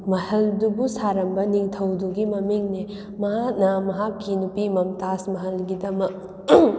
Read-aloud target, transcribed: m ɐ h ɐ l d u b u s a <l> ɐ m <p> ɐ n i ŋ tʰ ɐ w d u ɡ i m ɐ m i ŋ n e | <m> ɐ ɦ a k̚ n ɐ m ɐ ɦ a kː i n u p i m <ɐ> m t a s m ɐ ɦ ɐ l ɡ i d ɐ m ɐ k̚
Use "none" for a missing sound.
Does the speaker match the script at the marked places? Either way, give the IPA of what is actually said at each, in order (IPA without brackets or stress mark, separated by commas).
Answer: ɾ, b, m, ɐ